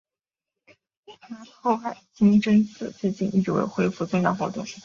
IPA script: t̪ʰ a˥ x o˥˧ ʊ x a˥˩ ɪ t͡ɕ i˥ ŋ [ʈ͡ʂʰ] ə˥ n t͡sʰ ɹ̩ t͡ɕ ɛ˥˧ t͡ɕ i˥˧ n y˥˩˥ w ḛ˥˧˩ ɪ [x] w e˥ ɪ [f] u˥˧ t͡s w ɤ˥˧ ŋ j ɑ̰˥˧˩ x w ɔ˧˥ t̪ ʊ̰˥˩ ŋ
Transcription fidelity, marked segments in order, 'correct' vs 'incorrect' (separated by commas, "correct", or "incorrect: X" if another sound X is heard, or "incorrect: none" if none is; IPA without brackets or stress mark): incorrect: ʈ͡ʂ, correct, correct